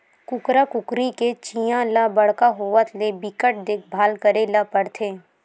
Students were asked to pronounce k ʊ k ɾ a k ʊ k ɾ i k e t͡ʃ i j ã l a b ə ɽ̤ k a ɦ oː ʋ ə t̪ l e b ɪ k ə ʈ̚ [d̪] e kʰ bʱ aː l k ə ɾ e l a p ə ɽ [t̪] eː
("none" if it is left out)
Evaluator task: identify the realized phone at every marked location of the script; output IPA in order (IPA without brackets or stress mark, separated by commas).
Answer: d̪, t̪ʰ